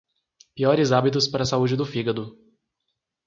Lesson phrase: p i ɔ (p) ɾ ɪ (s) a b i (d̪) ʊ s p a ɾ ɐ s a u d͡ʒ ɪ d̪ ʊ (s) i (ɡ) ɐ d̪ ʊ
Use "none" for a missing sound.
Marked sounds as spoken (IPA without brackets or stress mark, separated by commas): none, z, t̪, f, ɡ